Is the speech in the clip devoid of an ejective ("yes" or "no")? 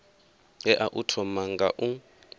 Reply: yes